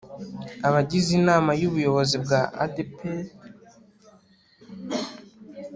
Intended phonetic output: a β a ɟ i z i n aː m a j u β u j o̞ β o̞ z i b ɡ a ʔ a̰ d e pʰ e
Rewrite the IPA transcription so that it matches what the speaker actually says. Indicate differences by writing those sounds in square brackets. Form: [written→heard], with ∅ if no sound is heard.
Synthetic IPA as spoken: a β a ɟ i z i n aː m a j u β u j o̞ β o̞ z i b ɡ a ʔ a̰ d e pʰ e